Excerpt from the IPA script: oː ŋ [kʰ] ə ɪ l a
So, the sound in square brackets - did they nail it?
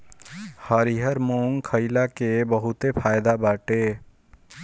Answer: yes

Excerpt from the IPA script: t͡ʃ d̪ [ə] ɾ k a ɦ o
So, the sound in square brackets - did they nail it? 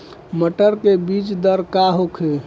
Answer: yes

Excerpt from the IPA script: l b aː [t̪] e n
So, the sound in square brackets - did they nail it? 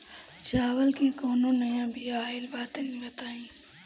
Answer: yes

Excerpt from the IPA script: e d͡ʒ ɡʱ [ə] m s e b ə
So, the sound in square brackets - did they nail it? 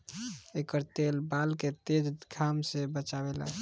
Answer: no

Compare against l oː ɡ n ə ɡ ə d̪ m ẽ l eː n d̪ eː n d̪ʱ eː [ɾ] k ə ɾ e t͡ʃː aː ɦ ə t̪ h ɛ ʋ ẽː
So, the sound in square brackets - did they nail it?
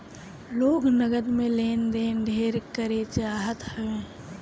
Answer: yes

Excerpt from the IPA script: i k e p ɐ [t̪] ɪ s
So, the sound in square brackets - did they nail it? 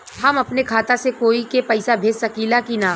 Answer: no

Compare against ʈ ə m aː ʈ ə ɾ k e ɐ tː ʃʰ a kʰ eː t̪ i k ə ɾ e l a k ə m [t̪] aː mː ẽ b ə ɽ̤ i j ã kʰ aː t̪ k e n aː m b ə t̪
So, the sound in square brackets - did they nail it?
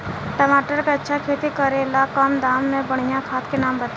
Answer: no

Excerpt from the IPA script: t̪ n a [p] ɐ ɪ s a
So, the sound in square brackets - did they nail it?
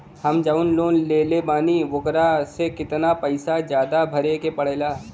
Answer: yes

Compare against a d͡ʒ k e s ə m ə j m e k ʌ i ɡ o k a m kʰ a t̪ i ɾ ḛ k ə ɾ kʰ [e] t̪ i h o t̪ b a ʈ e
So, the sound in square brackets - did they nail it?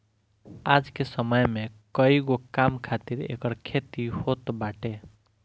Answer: yes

